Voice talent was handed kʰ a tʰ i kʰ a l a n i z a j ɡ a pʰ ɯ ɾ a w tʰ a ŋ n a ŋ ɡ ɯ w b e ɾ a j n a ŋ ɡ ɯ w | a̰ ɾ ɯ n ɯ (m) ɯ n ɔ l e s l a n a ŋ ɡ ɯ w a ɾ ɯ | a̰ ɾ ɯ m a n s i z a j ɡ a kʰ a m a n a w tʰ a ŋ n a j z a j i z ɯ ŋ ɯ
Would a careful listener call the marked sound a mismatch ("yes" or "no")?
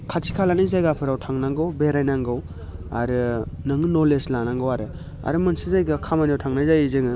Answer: yes